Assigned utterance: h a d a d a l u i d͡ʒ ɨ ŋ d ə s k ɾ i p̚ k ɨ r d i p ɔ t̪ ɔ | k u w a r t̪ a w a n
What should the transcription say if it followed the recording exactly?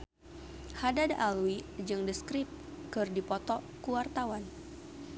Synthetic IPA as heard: h a d a d a l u i d͡ʒ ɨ ŋ d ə s k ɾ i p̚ k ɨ r d i p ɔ t̪ ɔ | k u w a r t̪ a w a n